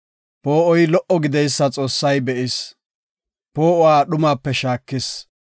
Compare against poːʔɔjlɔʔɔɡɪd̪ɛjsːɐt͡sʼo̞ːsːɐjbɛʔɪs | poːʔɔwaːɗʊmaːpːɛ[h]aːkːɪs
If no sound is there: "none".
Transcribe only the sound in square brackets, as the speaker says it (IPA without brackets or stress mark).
ʃ